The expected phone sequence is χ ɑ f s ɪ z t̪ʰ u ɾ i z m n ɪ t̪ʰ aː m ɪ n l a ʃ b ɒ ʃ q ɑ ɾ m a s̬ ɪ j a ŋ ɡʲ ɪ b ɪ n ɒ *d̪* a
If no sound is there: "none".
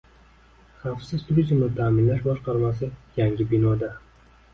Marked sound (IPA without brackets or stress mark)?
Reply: d̪